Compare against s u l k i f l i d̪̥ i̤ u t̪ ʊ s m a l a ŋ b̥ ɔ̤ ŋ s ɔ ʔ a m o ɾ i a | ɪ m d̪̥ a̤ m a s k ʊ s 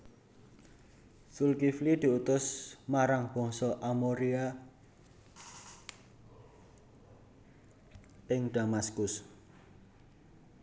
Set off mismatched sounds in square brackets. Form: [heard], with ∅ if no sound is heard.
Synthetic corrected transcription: s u l k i f l i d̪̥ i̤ u t̪ ʊ s m a [ɾ] a ŋ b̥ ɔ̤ ŋ s ɔ ʔ a m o ɾ i a | ɪ [ŋ] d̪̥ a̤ m a s k ʊ s